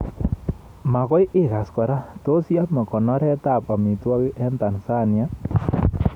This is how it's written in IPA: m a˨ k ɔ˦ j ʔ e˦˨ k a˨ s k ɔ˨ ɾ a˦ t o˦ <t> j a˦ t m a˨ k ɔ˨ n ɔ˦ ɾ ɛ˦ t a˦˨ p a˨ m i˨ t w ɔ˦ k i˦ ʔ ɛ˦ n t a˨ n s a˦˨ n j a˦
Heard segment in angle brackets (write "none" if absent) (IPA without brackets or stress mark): s